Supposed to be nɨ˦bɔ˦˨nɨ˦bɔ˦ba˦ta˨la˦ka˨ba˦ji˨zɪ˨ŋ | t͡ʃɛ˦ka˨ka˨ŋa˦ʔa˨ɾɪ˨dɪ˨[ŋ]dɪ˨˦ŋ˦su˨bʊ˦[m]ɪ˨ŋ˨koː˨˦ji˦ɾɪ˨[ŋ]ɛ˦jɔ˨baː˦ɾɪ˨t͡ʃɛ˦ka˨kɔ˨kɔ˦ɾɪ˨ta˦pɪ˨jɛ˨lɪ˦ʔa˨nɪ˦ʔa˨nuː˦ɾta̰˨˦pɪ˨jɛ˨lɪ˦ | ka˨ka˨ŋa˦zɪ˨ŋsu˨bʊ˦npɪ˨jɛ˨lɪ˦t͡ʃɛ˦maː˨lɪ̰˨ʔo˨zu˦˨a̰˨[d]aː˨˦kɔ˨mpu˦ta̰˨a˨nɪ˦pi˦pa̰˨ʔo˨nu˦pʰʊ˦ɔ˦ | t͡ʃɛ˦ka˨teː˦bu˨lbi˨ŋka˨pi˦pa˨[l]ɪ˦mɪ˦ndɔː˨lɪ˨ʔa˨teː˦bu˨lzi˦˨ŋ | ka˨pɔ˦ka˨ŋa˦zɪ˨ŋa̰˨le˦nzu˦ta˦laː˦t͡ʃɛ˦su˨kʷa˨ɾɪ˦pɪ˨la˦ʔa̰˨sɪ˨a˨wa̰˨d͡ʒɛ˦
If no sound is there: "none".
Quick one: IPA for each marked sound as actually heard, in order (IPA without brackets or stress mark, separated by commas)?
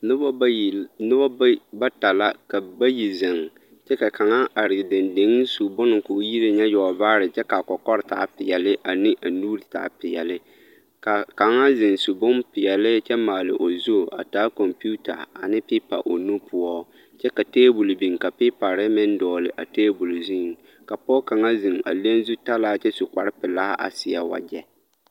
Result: n, n, ɲ, t, ɾ